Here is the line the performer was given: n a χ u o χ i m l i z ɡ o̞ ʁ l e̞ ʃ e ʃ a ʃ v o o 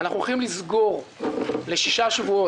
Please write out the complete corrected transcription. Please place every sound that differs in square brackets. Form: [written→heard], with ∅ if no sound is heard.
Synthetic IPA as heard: n a χ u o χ i m l i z ɡ o̞ ʁ l e̞ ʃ [e→i] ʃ a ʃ v [o→u] o